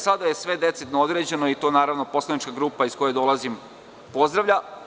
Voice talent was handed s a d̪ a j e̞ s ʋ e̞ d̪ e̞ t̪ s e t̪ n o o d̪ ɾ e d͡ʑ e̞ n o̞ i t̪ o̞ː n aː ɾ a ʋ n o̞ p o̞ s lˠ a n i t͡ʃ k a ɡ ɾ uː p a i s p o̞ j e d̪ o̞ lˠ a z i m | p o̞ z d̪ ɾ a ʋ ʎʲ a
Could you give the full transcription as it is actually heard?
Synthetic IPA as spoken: s a d̪ a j e̞ s ʋ e̞ d̪ e̞ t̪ s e t̪ n o o d̪ ɾ e d͡ʑ e̞ n o̞ i t̪ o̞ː n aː ɾ a ʋ n o̞ p o̞ s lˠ a n i t͡ʃ k a ɡ ɾ uː p a i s k o̞ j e d̪ o̞ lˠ a z i m | p o̞ z d̪ ɾ a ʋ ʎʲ a